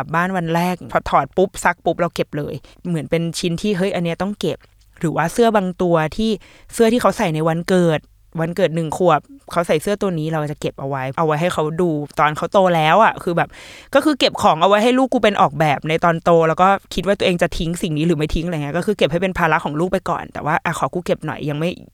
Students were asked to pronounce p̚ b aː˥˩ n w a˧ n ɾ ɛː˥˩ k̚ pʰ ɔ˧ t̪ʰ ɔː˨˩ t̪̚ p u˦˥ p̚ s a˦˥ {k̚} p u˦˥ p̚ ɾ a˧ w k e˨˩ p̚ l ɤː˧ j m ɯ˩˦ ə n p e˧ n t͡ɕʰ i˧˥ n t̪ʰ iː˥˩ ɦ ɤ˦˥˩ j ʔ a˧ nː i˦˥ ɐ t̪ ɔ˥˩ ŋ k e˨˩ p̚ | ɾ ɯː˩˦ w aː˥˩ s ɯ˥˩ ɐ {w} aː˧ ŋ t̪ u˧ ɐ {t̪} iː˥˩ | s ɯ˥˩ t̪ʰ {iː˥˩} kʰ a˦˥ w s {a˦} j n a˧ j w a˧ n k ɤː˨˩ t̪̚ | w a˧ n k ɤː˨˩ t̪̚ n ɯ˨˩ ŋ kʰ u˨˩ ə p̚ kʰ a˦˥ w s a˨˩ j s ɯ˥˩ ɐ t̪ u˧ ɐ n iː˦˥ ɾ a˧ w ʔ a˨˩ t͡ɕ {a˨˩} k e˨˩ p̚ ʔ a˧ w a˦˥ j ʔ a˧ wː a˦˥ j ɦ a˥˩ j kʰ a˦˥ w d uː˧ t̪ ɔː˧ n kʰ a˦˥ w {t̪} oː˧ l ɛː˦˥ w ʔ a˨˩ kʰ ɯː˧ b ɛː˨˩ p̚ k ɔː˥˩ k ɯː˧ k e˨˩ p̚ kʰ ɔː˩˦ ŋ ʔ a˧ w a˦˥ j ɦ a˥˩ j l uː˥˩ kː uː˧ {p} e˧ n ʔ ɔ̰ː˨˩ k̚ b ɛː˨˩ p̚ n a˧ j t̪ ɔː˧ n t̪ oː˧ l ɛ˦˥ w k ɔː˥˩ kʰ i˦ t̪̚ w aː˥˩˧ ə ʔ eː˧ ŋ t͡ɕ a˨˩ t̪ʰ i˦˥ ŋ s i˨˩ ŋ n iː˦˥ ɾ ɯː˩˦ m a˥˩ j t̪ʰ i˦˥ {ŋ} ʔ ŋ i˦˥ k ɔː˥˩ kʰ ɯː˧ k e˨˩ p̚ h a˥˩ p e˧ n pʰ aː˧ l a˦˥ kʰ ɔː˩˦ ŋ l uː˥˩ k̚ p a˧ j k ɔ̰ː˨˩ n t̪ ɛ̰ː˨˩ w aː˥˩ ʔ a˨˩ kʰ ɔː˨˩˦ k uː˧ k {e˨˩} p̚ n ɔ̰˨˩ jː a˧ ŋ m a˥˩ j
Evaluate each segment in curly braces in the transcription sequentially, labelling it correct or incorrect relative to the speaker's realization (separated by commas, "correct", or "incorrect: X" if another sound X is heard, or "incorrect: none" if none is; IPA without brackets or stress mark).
correct, incorrect: b, incorrect: t̪ʰ, correct, incorrect: a˨˩, correct, correct, correct, correct, correct